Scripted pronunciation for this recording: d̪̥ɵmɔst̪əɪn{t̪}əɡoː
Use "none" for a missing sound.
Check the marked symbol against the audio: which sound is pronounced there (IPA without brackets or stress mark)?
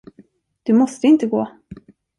t̪